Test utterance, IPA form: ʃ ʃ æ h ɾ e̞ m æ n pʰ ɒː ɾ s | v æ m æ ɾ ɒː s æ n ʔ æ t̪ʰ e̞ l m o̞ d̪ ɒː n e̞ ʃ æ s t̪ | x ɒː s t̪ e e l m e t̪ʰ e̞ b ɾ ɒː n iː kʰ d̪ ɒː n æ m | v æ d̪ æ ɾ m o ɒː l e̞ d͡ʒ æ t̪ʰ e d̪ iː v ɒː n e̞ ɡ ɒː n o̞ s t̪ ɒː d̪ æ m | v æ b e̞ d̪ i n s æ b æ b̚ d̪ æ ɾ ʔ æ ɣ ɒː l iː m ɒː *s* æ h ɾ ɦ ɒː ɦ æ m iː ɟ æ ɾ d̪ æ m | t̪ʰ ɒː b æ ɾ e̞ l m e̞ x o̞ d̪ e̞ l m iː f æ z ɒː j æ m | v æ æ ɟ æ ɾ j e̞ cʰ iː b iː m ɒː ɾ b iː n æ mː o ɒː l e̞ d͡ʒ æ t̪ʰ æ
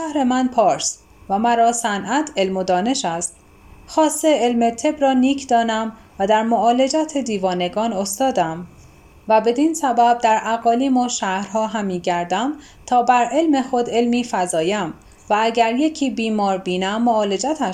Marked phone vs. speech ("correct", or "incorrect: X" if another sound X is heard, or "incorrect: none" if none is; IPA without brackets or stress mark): incorrect: ʃ